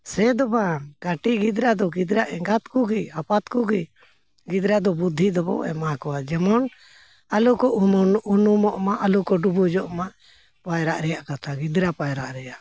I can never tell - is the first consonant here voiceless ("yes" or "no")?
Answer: yes